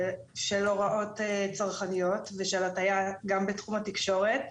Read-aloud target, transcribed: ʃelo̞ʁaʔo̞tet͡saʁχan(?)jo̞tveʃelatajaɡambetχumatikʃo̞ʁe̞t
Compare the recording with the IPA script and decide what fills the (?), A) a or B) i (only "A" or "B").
B